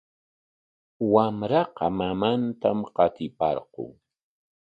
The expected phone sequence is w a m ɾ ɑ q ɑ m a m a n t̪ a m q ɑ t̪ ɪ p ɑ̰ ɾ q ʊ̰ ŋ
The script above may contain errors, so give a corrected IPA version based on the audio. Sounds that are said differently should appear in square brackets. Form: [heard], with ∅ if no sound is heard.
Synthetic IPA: w a m ɾ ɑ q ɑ m a m a n t̪ a m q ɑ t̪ ɪ p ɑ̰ ɾ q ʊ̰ ŋ